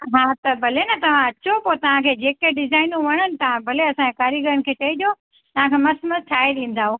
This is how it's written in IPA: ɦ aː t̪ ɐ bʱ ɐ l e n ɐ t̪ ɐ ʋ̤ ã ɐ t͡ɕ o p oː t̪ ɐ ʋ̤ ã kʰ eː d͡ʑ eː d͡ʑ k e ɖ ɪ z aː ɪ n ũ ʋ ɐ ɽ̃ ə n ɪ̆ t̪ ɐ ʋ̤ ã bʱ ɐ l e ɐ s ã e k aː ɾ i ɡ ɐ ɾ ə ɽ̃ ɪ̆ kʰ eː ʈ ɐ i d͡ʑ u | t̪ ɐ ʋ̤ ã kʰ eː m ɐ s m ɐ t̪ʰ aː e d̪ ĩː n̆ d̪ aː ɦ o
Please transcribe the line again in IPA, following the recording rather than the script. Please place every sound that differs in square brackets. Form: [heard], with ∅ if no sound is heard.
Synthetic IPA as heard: ɦ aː t̪ ɐ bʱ ɐ l e n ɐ t̪ ɐ ʋ̤ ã ɐ t͡ɕ o p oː t̪ ɐ ʋ̤ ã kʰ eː d͡ʑ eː [∅] k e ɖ ɪ z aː ɪ n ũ ʋ ɐ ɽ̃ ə n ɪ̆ t̪ ɐ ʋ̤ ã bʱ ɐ l e ɐ s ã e k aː ɾ i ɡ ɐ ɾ ə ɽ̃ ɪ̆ kʰ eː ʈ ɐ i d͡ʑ [o] | t̪ ɐ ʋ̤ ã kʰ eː m ɐ s m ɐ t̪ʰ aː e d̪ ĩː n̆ d̪ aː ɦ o